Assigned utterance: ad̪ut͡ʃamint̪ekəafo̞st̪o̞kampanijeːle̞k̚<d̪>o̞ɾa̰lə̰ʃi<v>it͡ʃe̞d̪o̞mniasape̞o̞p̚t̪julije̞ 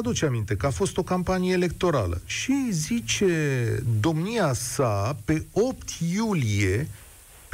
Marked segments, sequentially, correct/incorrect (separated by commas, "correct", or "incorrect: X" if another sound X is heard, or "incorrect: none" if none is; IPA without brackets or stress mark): incorrect: t̪, incorrect: z